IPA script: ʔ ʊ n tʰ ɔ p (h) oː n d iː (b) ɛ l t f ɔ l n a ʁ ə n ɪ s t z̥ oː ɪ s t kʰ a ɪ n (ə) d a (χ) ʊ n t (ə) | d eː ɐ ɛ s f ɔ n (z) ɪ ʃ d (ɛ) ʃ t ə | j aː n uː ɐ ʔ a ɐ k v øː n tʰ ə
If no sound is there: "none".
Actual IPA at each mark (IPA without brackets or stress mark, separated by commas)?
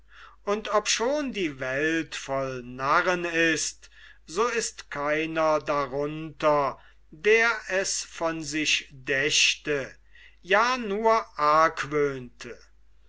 ʃ, v, ɐ, ʁ, ɐ, z, ɛ